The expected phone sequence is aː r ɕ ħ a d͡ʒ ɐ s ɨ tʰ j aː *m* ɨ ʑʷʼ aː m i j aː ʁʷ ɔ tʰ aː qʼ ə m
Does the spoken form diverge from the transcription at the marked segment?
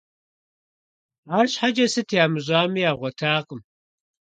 no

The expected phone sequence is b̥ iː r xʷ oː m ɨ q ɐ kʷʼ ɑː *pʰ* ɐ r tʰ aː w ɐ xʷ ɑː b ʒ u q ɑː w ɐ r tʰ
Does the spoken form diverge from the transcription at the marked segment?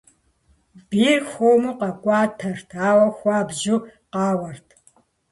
yes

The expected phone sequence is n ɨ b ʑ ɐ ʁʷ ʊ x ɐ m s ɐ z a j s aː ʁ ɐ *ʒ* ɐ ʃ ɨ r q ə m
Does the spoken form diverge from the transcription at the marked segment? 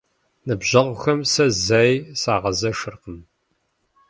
yes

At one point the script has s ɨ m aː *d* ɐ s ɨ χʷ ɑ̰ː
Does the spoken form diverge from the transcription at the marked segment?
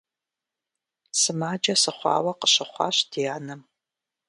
yes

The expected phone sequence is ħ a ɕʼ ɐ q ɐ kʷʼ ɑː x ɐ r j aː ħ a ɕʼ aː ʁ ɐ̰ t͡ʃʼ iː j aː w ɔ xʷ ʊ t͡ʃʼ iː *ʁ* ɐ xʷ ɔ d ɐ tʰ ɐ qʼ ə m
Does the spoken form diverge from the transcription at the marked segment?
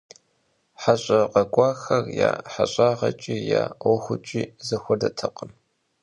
yes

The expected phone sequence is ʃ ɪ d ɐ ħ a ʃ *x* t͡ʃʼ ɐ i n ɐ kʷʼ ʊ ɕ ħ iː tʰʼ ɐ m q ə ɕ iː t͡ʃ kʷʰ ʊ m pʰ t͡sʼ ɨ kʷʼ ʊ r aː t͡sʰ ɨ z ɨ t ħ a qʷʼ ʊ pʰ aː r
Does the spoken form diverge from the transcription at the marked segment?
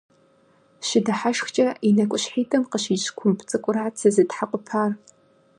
no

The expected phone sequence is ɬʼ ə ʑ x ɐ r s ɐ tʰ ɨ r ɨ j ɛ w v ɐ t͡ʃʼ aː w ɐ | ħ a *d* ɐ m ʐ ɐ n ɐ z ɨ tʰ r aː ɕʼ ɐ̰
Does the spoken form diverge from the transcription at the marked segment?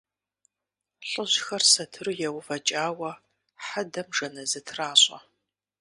no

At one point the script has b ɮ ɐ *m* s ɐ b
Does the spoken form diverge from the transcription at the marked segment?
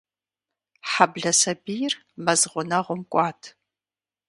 yes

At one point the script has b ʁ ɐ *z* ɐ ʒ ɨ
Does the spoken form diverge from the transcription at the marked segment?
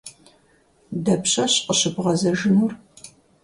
no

